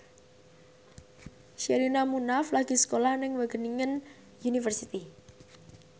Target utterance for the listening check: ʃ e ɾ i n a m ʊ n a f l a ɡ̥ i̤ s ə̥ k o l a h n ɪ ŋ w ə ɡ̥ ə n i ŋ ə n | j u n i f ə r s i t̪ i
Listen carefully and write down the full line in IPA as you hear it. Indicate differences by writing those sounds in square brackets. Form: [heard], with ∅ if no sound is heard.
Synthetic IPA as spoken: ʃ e ɾ i n a m [u] n a f l a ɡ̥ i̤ s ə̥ k o l a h n ɪ ŋ w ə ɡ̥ ə n i ŋ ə n | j u n i f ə r s i t̪ i